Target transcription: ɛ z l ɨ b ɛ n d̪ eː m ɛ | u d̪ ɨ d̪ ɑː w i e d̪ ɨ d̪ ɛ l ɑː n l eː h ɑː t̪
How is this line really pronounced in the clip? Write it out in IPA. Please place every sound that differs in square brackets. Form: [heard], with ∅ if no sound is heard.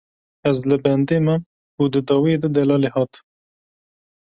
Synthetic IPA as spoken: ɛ z l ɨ b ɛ n d̪ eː m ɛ | u d̪ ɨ d̪ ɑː w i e d̪ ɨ d̪ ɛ l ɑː [∅] l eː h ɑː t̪